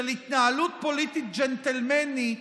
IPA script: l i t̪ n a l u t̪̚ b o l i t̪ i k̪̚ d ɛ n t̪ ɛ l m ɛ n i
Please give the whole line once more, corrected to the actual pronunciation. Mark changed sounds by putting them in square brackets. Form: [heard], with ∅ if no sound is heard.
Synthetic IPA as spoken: l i t̪ n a l u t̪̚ [p] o l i t̪ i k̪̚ [d͡ʒ] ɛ n t̪ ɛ l m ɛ n i

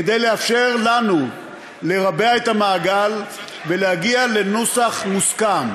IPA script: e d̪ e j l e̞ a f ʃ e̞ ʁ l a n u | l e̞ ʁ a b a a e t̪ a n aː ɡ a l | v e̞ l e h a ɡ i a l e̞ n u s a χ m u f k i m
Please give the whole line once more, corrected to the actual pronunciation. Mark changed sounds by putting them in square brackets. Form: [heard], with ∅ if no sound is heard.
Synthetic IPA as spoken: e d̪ e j l e̞ a f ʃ e̞ ʁ l a n u | l e̞ ʁ a b [e] a e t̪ a [m] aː ɡ a l | v e̞ l e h a ɡ i a l e̞ n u s a χ m u [s] k [a] m

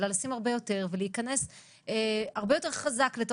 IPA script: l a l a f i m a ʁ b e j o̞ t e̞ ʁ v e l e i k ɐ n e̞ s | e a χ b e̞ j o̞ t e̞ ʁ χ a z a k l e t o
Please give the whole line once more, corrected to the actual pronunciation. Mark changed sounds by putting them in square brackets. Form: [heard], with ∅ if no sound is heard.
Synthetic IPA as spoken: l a l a [s] i m a ʁ b e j o̞ t e̞ ʁ v e l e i k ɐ n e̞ s | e a [ʁ] b e̞ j o̞ t e̞ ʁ χ a z a k l e t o

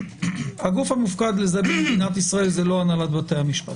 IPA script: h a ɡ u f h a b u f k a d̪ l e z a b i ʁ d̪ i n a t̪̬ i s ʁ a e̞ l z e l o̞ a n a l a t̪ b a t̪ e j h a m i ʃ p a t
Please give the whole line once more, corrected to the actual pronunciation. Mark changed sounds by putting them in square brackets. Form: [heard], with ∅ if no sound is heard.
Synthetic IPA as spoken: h a ɡ u f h a [m] u f k a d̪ l e z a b i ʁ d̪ i n a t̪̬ i s ʁ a e̞ l z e l o̞ a n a l a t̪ b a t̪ e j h a m i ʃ p a t

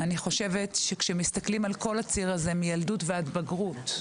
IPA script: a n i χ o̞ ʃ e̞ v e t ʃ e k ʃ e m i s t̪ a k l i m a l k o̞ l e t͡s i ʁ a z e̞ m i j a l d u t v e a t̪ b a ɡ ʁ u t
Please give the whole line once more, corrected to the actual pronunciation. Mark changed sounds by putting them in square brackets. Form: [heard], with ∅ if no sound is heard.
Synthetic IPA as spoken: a n i χ o̞ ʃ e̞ v e t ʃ e k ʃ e m i s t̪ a k l i m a l k o̞ l [a] t͡s i ʁ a z e̞ m i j a l d u t v e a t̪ b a ɡ ʁ u t

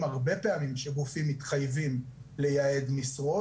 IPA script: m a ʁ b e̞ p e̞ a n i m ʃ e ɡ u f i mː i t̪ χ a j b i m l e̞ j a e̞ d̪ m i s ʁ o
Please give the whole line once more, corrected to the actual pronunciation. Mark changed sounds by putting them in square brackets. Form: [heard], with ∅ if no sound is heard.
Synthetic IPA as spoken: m a ʁ b e̞ p e̞ a [m] i m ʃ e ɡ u f i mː i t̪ χ a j [v] i m l e̞ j a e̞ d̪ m i s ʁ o

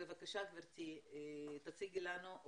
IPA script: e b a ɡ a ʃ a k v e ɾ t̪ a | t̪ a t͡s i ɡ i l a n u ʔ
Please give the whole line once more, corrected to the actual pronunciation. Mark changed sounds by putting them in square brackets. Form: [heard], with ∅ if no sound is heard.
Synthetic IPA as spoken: e [v] a [k] a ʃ a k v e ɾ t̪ [i] | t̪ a t͡s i ɡ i l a n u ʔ

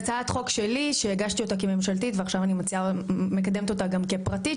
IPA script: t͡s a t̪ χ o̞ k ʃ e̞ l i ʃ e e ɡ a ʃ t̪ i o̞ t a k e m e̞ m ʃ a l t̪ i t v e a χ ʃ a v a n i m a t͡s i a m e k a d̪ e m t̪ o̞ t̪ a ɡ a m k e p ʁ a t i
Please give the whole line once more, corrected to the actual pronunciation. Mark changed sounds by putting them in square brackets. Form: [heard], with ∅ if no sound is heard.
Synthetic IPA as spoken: t͡s a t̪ χ o̞ k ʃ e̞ l i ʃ e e ɡ a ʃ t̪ i o̞ t a k e m e̞ m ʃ a l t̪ i t v e a χ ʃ a v a n i m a t͡s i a m e k a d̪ e m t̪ o̞ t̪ a ɡ a m k e p ʁ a t i

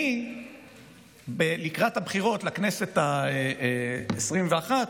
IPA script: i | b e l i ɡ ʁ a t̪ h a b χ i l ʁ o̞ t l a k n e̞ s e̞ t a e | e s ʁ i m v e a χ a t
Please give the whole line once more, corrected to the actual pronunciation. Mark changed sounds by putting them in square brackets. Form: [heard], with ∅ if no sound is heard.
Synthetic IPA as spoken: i | b e l i [k] ʁ a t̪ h a b χ i [∅] ʁ o̞ t l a k n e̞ s e̞ t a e | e s ʁ i m v e a χ a t

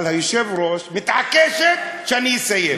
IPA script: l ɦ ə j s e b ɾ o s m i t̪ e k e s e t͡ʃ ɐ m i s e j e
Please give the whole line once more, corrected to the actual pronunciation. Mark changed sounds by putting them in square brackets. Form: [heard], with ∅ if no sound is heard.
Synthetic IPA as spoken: l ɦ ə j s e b ɾ o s m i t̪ [a] k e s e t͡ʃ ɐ [n] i s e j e

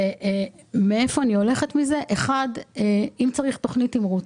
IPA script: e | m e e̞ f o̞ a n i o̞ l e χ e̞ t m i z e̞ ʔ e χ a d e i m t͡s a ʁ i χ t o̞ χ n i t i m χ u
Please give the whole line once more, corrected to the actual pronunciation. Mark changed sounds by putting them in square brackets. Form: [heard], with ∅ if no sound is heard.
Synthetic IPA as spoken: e | m e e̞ f o̞ a n i o̞ l e χ e̞ t m i z e̞ ʔ e χ a d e i m t͡s a ʁ i χ t o̞ χ n i t i m [ʁ] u

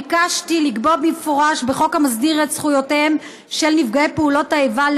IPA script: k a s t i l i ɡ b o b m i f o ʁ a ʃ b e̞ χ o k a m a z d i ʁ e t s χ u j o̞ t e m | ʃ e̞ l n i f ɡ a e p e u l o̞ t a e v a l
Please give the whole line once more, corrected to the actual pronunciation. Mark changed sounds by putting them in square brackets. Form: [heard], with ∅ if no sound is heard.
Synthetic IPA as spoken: k a [ʃ] t i l i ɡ b o b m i f o ʁ a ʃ b e̞ χ o k a m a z d i ʁ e t s χ u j o̞ t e m | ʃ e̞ l n i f ɡ a e p e u l o̞ t a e v a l

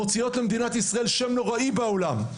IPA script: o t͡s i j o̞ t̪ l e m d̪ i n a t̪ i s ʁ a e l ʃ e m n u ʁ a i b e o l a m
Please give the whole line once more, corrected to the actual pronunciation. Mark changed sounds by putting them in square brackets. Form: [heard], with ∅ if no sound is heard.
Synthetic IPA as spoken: o t͡s i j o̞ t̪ l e m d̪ i n a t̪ i s ʁ a e l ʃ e m n [o] ʁ a i b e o l a m

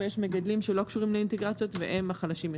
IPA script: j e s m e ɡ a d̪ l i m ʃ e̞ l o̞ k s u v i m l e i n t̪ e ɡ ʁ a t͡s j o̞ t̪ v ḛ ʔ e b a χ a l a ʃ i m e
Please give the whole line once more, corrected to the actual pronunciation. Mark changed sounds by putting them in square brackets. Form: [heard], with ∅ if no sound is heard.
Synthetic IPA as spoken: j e [ʃ] m e ɡ a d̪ l i m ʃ e̞ l o̞ k [ʃ] u [ʁ] i m l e i n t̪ e ɡ ʁ a t͡s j o̞ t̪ v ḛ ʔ e [m] a χ a l a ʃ i m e

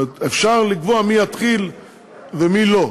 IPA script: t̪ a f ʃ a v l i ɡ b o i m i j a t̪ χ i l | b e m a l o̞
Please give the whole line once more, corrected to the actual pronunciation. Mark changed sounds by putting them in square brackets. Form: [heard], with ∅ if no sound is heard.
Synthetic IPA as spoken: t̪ [e] f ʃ a [ʁ] l i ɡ [v] o [a] m i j a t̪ χ i l | [v] e m [i] l o̞

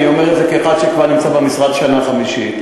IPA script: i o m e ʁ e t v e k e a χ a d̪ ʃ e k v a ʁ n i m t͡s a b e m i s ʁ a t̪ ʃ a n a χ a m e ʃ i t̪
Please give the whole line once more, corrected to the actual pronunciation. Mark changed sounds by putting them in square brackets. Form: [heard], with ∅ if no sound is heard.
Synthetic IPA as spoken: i o m e ʁ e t [z] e k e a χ a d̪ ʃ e k v a ʁ n i m t͡s a b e m i s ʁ a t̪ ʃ a n a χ a m [i] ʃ i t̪

